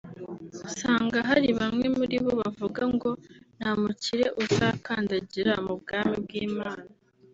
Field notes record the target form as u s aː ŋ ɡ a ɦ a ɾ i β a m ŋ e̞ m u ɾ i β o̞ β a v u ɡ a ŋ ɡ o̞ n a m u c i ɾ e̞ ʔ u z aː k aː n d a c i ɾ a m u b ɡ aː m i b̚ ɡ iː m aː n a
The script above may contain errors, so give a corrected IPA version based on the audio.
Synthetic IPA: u s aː ŋ ɡ a ɦ a ɾ i β a m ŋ e̞ m u ɾ i β o̞ β a v u ɡ a ŋ ɡ o̞ n a m u c i ɾ e̞ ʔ u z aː k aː n d a ɟ i ɾ a m u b ɡ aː m i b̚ ɡ iː m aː n a